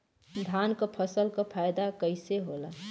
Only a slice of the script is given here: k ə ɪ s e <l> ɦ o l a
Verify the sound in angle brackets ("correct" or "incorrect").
incorrect